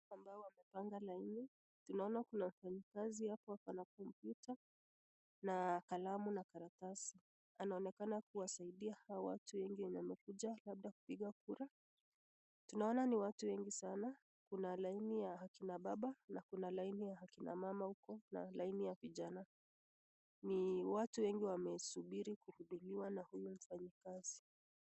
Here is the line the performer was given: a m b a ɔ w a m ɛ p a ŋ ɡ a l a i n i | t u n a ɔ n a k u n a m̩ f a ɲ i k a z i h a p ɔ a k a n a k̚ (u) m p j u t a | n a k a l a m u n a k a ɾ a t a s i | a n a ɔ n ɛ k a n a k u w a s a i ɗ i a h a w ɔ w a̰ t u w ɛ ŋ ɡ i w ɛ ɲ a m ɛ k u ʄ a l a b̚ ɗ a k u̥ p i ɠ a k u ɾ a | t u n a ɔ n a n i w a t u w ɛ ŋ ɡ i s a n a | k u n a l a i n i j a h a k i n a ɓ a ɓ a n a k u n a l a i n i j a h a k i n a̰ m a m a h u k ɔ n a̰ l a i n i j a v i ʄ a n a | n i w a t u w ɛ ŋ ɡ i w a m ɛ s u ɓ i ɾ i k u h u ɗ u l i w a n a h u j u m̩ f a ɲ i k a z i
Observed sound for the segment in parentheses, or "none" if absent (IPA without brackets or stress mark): ɔ